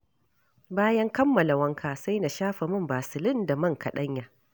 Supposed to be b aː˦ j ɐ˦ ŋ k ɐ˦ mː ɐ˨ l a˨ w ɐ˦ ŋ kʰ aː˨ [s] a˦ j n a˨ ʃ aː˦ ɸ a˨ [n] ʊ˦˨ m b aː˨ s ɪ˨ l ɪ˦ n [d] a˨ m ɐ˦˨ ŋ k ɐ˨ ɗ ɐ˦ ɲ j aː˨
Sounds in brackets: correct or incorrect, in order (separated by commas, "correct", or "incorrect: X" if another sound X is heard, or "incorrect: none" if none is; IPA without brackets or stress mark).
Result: correct, incorrect: m, correct